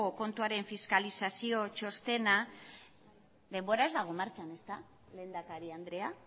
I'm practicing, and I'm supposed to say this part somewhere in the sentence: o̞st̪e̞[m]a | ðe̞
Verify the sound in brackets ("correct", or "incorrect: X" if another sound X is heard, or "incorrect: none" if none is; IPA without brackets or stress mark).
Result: incorrect: n